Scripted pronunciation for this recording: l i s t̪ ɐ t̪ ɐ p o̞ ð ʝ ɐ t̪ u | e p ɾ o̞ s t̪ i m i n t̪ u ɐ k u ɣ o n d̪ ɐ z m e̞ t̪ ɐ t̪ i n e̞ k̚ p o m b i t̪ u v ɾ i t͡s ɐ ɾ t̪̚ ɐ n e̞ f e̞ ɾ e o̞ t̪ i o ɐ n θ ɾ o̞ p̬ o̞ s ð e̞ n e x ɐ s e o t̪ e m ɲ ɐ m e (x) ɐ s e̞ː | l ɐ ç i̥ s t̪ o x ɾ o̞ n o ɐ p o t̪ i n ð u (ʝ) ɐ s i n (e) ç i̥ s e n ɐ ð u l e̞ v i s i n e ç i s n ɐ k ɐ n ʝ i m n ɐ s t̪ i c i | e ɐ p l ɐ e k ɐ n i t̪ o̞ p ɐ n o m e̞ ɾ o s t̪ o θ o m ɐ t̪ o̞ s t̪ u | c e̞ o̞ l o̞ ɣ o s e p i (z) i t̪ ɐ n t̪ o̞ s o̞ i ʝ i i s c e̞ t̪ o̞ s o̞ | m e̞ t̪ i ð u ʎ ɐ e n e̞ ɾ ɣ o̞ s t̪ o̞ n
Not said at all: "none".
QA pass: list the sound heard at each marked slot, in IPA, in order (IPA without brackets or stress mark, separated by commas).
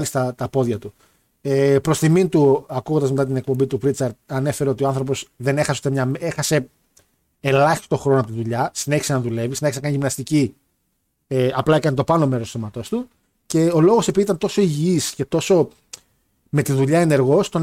x, ʎ, e, ð